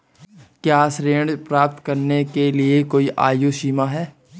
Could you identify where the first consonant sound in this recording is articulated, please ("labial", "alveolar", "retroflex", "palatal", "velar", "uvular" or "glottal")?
velar